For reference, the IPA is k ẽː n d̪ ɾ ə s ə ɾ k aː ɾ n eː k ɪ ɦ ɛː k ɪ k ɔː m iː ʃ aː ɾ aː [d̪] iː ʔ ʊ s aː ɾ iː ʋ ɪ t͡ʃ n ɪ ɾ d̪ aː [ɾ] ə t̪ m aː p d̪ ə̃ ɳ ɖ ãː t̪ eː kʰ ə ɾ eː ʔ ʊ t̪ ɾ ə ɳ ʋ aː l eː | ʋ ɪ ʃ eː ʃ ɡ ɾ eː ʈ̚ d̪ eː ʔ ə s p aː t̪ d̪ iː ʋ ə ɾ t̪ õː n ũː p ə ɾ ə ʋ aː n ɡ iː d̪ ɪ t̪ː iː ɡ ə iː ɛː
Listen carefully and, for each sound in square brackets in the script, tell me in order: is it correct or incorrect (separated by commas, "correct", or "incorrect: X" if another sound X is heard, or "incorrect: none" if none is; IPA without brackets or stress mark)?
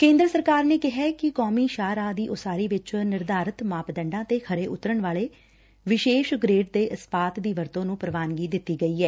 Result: correct, correct